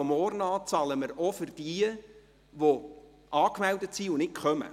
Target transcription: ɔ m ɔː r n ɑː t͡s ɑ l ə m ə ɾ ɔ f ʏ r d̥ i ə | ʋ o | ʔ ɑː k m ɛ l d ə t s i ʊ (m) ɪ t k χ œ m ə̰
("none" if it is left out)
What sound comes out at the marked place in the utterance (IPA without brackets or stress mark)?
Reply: n